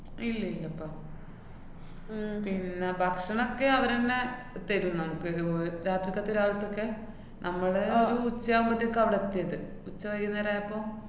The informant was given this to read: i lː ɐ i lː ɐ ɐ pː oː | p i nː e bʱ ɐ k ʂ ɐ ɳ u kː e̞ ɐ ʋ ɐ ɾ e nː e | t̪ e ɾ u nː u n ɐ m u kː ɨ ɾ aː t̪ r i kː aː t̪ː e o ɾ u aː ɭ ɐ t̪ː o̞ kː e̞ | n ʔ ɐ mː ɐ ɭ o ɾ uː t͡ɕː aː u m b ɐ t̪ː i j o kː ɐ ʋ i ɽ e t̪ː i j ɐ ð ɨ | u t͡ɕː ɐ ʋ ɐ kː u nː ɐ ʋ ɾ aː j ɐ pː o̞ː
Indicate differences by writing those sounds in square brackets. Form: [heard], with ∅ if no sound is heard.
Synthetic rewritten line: i lː ɐ i lː ɐ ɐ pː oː | p i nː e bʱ ɐ k ʂ ɐ ɳ [o] kː e̞ ɐ ʋ ɐ ɾ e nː e | t̪ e ɾ u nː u n ɐ m u kː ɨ ɾ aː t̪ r i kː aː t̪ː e o ɾ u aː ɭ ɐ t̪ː o̞ kː e̞ | n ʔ ɐ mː ɐ ɭ o ɾ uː t͡ɕː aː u m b ɐ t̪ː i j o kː ɐ ʋ i ɽ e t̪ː i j ɐ ð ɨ | u t͡ɕː ɐ ʋ ɐ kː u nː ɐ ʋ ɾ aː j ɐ pː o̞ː